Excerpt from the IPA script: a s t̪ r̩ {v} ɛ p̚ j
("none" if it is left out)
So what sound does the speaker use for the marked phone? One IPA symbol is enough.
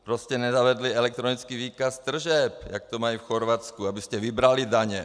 ʒ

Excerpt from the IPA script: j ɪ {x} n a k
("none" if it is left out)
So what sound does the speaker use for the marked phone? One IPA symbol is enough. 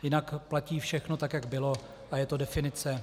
none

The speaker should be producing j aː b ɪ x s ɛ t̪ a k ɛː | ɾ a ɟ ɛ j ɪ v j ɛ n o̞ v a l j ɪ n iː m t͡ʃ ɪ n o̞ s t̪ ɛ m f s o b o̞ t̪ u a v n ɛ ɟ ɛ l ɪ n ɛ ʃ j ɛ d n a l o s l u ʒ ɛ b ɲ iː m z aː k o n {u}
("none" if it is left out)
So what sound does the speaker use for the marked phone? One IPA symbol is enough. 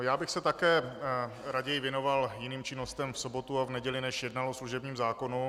u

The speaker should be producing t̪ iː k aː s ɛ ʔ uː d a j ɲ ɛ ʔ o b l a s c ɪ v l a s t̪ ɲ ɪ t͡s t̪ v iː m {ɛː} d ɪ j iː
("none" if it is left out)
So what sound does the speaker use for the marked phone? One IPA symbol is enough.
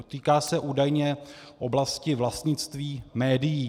ɛː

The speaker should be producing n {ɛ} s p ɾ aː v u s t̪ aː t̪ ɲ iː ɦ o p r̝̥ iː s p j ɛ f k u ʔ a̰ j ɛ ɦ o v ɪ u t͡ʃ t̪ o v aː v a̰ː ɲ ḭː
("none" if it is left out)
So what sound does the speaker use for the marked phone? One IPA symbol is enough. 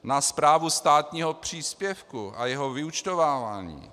a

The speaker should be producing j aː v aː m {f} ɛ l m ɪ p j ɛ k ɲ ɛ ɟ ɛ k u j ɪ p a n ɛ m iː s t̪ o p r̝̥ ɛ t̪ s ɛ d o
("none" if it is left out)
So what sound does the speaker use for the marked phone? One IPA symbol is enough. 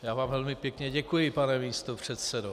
v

